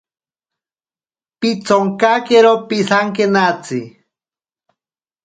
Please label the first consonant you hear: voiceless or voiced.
voiceless